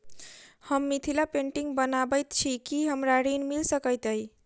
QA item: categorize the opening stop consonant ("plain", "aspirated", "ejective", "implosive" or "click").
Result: aspirated